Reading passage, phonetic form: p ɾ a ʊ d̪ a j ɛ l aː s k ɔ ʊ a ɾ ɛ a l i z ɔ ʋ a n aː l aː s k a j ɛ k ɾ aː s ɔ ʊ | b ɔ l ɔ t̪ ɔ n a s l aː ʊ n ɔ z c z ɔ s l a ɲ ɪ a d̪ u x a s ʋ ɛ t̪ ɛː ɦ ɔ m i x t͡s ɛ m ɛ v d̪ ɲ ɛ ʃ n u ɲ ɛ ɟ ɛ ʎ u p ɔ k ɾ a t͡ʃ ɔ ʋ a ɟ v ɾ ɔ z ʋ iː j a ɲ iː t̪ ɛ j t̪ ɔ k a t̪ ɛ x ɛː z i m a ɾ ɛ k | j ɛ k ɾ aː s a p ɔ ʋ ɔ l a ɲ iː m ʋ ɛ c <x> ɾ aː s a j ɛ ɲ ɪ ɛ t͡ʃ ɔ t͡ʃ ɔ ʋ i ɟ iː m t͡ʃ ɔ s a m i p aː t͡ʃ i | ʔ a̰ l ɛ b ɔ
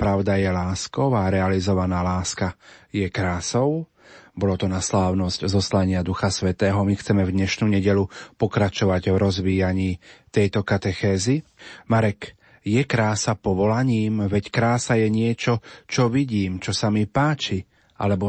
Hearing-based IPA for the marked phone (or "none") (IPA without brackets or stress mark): k